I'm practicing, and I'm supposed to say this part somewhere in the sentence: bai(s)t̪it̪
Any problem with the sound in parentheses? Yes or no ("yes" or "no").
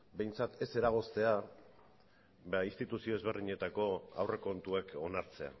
no